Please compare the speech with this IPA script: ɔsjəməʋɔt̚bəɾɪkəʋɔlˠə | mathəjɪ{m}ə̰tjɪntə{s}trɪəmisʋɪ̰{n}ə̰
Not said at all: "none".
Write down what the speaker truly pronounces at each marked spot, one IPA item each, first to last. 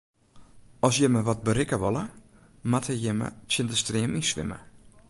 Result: m, s, m

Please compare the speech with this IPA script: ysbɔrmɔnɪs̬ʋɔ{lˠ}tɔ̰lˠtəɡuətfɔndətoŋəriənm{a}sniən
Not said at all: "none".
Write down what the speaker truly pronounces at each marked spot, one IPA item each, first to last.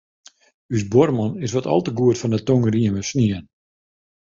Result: none, ə

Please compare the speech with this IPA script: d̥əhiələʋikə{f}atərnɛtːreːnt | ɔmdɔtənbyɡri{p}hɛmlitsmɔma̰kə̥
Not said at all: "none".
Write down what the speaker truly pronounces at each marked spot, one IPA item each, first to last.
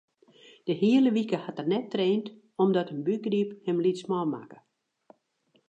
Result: h, p

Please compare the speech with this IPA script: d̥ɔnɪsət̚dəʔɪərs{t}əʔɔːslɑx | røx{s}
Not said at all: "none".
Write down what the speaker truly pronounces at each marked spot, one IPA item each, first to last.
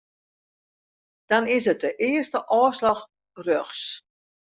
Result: t, s

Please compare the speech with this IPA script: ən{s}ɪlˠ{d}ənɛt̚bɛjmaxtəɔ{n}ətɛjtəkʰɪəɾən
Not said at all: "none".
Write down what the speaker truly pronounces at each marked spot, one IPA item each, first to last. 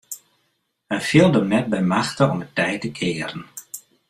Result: f, d, m

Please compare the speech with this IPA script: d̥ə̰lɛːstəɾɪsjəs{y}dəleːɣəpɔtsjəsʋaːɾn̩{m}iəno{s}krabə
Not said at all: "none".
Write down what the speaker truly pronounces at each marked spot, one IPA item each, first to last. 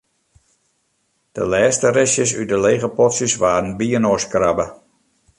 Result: y, b, s

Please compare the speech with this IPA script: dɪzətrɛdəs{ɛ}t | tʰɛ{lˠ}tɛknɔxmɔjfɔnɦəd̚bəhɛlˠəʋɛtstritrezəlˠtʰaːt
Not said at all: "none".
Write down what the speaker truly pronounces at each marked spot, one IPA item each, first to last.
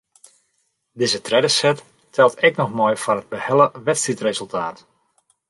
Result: ɛ, lˠ

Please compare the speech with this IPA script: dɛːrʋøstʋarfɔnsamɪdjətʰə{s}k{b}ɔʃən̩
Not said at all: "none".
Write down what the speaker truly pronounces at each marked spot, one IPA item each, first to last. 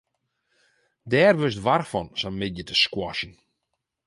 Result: s, w

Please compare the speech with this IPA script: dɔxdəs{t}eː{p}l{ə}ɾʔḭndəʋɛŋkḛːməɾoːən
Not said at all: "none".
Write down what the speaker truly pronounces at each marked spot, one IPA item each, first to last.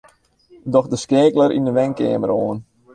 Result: k, k, ə

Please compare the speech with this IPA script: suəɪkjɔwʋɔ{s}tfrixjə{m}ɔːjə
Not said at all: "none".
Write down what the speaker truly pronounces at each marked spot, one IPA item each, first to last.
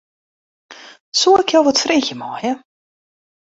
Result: none, m

